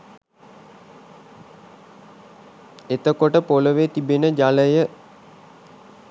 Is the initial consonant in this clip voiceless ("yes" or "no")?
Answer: yes